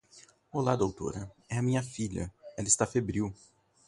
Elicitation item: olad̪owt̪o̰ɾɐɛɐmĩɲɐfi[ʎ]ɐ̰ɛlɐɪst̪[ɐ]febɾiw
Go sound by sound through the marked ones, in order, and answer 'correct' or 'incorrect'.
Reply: correct, incorrect: a

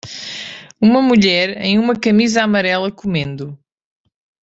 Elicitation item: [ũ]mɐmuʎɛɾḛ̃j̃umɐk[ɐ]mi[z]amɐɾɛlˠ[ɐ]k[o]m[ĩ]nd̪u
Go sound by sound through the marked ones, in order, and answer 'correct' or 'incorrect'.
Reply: incorrect: u, correct, correct, correct, incorrect: u, incorrect: ẽ

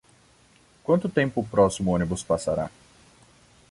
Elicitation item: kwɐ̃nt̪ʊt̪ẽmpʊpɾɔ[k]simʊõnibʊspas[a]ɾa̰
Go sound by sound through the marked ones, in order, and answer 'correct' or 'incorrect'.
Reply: incorrect: none, correct

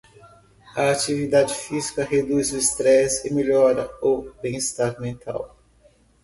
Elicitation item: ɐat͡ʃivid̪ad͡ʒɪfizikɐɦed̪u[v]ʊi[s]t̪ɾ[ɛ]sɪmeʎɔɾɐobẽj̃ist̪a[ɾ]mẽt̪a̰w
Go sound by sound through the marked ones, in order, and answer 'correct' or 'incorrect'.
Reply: incorrect: z, correct, correct, correct

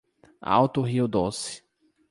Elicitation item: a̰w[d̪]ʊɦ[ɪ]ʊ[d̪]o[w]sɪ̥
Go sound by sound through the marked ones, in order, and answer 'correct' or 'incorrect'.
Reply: incorrect: t̪, incorrect: i, correct, incorrect: none

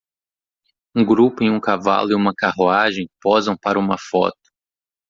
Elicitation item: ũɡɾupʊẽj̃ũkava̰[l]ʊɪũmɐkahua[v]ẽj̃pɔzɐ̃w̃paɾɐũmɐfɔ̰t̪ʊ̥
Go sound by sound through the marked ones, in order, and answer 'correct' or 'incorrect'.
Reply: correct, incorrect: ʒ

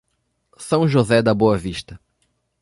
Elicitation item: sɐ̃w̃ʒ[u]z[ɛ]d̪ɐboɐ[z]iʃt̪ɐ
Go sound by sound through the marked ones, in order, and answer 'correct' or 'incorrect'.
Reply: incorrect: o, correct, incorrect: v

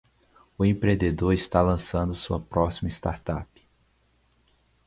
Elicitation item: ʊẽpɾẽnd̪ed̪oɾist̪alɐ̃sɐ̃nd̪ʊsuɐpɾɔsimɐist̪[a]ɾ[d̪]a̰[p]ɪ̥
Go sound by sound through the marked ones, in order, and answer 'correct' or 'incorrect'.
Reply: correct, incorrect: t̪, correct

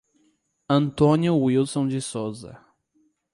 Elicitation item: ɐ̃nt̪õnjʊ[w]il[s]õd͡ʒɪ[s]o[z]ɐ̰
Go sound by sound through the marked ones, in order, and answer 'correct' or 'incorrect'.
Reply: correct, correct, correct, correct

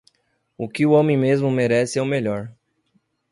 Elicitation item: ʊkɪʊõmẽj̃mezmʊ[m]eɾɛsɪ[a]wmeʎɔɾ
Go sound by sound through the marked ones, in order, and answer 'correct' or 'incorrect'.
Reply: correct, incorrect: ɛ

